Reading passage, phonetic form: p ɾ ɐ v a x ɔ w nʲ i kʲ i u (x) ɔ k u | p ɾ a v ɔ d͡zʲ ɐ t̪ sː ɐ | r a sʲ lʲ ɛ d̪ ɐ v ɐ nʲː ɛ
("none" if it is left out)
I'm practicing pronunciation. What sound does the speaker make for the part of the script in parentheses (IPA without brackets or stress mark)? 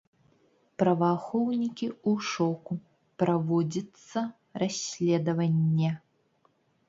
ʂ